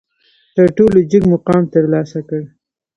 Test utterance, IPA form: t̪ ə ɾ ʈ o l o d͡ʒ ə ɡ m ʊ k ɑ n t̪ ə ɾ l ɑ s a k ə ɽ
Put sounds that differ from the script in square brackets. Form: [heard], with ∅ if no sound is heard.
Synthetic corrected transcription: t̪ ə ɾ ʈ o l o d͡ʒ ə ɡ m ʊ [q] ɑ [m] t̪ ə ɾ l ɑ s a k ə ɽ